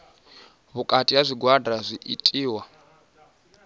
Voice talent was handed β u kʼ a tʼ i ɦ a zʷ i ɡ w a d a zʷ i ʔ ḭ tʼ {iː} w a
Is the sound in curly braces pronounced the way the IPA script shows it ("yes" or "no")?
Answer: yes